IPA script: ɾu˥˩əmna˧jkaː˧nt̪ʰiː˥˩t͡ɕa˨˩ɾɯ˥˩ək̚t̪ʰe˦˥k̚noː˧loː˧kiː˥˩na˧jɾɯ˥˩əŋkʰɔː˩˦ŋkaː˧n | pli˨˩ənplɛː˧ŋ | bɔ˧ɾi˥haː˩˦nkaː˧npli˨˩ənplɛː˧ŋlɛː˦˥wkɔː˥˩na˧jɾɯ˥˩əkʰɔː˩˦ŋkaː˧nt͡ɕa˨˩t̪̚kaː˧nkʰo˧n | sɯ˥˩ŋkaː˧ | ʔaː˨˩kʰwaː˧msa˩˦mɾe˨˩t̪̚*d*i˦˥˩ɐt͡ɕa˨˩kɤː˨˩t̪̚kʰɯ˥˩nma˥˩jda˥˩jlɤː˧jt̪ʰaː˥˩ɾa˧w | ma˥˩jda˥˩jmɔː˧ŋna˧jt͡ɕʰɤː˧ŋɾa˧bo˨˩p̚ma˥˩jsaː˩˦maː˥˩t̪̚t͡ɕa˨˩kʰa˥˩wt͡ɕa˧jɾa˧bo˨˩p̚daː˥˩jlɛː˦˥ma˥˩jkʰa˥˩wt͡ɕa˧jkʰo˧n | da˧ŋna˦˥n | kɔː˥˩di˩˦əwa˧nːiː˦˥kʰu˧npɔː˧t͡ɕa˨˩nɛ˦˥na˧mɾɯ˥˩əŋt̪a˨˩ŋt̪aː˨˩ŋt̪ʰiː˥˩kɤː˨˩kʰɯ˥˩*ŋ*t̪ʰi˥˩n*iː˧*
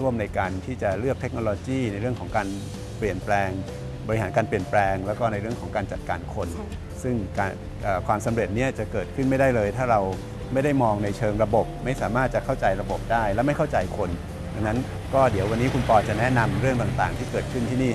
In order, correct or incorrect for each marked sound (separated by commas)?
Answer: incorrect, incorrect, incorrect